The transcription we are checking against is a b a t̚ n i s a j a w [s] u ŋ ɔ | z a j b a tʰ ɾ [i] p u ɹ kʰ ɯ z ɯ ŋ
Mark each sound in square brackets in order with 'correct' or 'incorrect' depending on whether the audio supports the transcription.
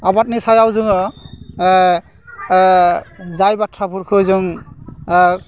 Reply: incorrect: z, incorrect: a

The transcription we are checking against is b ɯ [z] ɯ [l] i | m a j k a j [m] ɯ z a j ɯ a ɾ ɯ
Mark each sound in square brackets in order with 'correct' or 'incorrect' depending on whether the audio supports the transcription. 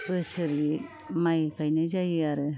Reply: incorrect: s, incorrect: ɾ, incorrect: n

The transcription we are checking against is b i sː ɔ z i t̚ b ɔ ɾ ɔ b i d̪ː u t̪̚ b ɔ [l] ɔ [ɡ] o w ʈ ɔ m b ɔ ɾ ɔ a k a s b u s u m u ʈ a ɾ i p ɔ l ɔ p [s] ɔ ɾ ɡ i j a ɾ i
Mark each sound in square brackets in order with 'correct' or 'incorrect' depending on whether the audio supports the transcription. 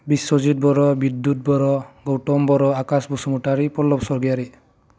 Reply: incorrect: ɾ, correct, correct

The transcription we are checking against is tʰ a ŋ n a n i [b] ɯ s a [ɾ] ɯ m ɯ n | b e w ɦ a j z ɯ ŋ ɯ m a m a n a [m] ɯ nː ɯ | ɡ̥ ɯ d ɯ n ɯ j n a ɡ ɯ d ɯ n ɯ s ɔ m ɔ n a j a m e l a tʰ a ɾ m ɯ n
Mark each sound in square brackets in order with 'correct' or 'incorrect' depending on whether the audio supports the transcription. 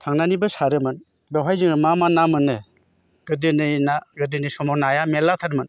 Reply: correct, correct, correct

